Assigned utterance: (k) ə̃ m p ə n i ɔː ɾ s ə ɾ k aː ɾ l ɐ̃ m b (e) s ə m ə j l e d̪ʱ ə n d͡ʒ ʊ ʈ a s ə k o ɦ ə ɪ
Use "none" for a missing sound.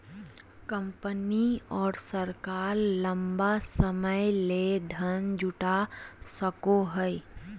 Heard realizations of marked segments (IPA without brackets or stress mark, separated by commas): k, a